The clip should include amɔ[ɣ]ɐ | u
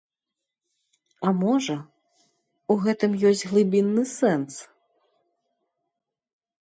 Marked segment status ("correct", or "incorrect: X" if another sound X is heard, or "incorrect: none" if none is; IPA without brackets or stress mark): incorrect: ʐ